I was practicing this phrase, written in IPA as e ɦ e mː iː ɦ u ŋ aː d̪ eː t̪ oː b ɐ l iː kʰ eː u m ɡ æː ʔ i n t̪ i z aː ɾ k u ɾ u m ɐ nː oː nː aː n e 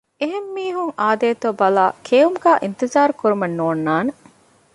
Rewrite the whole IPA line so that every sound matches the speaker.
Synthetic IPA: e ɦ e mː iː ɦ u ŋ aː d̪ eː t̪ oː b ɐ l aː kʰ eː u m ɡ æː ʔ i n t̪ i z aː ɾ k u ɾ u m ɐ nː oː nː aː n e